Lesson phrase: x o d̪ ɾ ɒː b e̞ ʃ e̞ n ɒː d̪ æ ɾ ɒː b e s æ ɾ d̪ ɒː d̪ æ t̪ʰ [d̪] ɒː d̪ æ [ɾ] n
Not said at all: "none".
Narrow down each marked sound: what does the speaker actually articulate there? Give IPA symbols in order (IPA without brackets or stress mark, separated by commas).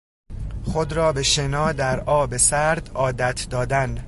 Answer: d̪, none